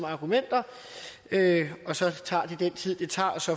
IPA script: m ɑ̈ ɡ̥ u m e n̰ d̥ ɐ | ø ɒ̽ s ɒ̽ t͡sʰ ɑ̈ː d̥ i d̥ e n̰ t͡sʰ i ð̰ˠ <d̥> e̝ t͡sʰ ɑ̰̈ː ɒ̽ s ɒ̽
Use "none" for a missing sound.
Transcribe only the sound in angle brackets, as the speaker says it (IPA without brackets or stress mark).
d̥